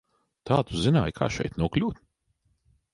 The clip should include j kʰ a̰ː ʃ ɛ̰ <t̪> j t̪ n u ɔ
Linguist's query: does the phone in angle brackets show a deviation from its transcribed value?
yes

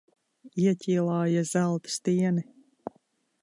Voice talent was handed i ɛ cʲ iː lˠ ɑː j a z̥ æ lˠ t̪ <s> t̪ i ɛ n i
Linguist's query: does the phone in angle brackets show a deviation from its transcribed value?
no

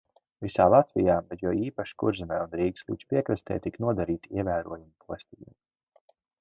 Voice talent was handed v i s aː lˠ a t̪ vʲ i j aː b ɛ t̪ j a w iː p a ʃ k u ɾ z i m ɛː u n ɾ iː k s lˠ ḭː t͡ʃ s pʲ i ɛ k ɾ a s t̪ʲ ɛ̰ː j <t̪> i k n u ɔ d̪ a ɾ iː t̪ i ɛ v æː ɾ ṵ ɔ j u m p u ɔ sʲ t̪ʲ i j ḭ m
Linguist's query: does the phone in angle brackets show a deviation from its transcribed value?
no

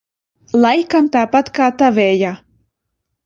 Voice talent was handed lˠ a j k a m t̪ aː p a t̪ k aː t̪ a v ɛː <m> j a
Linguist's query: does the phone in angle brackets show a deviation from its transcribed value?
yes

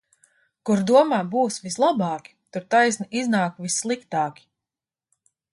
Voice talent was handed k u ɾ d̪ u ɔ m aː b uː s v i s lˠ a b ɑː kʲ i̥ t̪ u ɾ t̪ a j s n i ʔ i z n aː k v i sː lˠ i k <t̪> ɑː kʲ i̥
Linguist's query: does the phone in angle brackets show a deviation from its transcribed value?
no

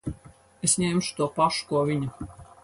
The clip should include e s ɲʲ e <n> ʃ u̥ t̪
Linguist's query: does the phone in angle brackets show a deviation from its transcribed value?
yes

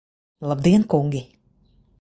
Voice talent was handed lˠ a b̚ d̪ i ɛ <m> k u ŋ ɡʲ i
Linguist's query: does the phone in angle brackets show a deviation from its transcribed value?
yes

